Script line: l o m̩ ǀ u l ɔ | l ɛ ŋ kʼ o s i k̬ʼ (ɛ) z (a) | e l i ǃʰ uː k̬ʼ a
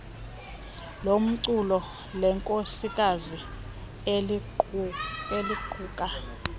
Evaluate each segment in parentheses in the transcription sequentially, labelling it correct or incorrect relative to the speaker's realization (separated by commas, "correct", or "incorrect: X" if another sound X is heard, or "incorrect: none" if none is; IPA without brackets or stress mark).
incorrect: a, incorrect: i